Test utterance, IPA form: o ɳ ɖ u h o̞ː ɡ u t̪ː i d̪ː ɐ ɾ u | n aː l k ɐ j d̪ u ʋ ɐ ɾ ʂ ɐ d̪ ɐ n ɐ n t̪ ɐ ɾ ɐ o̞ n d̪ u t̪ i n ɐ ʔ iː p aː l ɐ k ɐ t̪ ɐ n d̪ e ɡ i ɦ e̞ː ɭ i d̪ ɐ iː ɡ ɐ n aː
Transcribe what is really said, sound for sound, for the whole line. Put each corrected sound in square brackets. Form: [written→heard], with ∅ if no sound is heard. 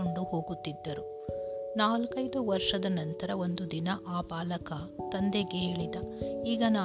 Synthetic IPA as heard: o ɳ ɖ u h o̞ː ɡ u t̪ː i d̪ː ɐ ɾ u | n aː l k ɐ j d̪ u ʋ ɐ ɾ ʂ ɐ d̪ ɐ n ɐ n t̪ ɐ ɾ ɐ o̞ n d̪ u [t̪→d̪] i n ɐ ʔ [iː→aː] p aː l ɐ k ɐ t̪ ɐ n d̪ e ɡ [i→e] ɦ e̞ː ɭ i d̪ ɐ iː ɡ ɐ n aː